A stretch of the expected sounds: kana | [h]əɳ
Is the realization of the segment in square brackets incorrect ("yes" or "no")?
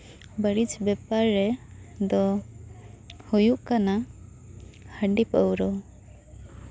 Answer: no